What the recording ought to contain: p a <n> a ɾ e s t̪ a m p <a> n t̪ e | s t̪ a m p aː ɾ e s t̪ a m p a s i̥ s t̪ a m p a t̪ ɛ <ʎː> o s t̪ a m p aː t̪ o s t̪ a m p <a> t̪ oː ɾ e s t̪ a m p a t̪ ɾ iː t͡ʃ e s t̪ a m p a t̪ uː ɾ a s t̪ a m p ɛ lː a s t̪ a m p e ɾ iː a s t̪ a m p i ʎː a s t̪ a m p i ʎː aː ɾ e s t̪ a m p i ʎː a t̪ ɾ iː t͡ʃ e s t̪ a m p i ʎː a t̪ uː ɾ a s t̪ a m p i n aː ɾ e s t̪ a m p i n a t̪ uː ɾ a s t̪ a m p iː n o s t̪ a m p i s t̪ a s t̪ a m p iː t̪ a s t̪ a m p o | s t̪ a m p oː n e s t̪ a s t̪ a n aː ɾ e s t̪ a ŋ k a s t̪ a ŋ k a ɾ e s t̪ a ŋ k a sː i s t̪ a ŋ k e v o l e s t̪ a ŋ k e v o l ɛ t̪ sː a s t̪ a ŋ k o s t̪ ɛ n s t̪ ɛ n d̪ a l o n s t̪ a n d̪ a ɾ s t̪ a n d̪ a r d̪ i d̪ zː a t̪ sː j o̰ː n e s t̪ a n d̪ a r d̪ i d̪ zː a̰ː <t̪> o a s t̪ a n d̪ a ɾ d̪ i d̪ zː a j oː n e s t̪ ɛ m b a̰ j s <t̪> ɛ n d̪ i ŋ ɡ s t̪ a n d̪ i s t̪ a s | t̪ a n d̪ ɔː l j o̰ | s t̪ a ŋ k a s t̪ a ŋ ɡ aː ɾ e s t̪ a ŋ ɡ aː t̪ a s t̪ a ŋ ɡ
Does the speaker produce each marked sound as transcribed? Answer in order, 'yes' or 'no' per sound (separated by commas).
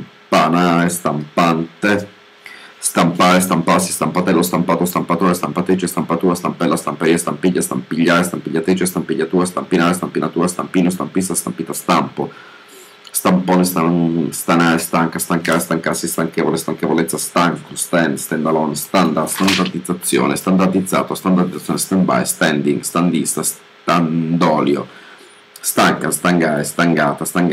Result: yes, yes, no, yes, yes, yes